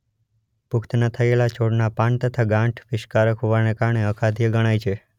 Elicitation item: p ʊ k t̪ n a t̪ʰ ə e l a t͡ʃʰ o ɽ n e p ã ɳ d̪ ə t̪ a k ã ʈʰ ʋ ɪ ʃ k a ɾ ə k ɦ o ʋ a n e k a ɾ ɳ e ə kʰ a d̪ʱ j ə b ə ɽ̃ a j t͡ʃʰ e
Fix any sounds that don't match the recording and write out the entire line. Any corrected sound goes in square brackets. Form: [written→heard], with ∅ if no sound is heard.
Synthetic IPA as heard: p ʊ k t̪ n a t̪ʰ ə e l a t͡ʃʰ o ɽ n [e→a] p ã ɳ [d̪→t̪] ə [t̪→t̪ʰ] a [k→ɡ] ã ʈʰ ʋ ɪ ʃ k a ɾ ə k ɦ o ʋ a n e k a ɾ ɳ e ə kʰ a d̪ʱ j ə [b→ɡ] ə ɽ̃ a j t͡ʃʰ e

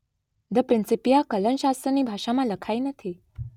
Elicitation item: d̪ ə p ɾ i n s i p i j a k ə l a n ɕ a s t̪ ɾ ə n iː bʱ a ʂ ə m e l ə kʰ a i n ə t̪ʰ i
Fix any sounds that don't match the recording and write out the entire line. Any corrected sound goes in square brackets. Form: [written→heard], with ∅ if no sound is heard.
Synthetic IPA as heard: d̪ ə p ɾ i n s i p i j a k ə l [a→ə] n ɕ a s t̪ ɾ ə n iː bʱ a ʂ [ə→a] m [e→a] l ə kʰ a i n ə t̪ʰ i

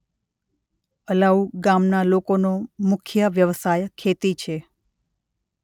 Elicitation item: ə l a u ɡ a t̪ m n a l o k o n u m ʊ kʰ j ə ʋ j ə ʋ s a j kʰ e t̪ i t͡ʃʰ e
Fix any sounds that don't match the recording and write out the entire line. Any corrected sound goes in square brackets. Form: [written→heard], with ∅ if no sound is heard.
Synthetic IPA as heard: ə l a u ɡ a [t̪→∅] m n a l o k o n [u→o] m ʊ kʰ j ə ʋ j ə ʋ s a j kʰ e t̪ i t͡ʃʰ e

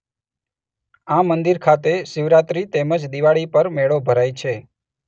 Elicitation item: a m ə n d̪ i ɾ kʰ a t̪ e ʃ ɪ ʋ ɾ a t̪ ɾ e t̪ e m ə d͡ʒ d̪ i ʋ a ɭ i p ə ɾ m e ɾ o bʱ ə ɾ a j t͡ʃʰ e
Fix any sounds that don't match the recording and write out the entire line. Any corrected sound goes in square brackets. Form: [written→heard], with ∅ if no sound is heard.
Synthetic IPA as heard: a m ə n d̪ i ɾ kʰ a t̪ e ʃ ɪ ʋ ɾ a t̪ ɾ [e→i] t̪ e m ə d͡ʒ d̪ i ʋ a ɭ i p ə ɾ m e [ɾ→ɭ] o bʱ ə ɾ a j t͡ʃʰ e

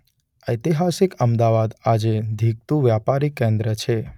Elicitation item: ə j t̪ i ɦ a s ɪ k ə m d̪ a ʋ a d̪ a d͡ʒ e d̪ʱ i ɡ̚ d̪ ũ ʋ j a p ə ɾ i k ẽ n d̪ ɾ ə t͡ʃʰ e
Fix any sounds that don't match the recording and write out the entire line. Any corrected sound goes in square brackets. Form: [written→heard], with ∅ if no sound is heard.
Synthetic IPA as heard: ə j t̪ i ɦ a s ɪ k ə m d̪ a ʋ a d̪ a d͡ʒ e d̪ʱ i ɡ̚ [d̪→t̪] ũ ʋ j a p [ə→a] ɾ i k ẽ n d̪ ɾ ə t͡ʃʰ e

